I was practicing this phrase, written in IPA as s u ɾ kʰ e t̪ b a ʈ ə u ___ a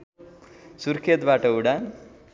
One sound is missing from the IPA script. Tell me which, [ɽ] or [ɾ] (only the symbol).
ɽ